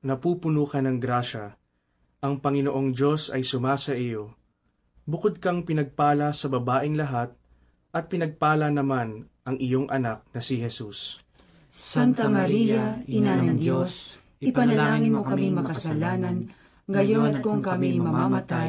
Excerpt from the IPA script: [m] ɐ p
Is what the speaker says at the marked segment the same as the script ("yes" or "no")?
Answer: no